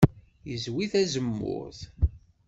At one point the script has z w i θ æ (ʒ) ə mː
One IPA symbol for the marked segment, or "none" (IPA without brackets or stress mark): z